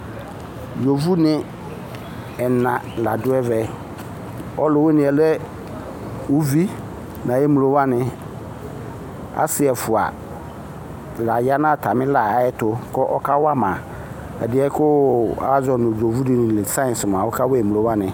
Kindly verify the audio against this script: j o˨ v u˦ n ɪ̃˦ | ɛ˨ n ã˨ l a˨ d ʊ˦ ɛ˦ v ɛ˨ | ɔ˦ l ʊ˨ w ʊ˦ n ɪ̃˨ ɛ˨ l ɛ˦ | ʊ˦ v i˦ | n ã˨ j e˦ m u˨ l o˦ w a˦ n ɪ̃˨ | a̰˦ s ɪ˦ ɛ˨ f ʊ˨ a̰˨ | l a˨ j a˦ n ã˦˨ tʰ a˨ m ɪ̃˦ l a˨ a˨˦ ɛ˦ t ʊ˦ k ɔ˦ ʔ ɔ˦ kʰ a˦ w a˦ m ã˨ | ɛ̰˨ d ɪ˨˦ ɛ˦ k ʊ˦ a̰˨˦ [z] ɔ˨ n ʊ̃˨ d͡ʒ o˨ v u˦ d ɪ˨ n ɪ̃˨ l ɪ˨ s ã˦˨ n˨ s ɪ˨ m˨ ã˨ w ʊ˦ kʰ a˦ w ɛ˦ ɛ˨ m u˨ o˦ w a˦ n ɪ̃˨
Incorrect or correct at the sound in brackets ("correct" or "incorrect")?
correct